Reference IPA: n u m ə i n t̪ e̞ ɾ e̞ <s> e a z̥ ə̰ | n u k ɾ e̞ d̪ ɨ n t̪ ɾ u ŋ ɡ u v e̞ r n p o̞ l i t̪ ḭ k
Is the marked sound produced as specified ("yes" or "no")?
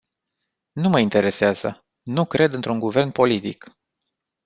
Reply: yes